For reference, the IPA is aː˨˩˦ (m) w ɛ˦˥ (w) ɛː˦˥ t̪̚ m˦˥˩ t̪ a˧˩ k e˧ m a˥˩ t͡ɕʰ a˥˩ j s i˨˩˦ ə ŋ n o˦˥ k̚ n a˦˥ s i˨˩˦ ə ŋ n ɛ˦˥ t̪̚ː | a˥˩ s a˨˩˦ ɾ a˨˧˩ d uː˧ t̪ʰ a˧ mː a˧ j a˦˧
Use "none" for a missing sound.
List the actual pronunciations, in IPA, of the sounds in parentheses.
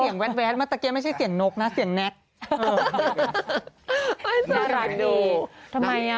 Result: ŋ, w

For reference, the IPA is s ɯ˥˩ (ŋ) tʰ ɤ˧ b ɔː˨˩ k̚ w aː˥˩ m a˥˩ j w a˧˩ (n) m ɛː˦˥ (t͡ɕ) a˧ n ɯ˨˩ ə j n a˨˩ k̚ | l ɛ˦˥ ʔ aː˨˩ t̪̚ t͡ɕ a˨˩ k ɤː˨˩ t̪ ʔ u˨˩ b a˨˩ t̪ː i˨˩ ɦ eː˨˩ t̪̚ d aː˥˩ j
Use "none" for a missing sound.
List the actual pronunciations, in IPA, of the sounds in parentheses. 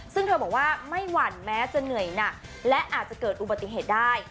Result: ŋ, n, t͡ɕ

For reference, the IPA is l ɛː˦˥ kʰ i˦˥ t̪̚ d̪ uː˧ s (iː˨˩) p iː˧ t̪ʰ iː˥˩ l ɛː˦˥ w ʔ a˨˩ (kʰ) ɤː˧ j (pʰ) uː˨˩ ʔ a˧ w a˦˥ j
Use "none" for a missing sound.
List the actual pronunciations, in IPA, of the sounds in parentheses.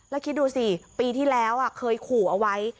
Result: i˨˩, kʰ, kʰ

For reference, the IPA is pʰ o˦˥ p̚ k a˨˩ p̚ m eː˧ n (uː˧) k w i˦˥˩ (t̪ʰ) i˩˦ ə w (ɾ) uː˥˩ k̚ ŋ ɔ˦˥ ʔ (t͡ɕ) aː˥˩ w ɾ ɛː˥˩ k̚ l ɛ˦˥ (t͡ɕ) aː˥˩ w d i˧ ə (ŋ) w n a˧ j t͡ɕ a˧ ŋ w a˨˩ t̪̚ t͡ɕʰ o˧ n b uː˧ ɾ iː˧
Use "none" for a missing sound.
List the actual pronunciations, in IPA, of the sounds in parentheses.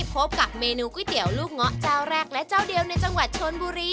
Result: uː˧, t̪, l, t͡ɕ, t͡ɕ, none

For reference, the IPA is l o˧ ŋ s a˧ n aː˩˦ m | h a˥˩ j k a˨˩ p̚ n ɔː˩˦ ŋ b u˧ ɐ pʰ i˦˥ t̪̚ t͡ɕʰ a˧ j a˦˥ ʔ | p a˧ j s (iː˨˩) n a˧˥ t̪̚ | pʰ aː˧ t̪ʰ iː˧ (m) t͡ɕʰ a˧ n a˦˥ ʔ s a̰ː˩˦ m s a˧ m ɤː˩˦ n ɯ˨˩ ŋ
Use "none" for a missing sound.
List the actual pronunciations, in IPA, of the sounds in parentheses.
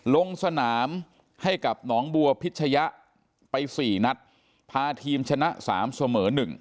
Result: iː˨˩, m

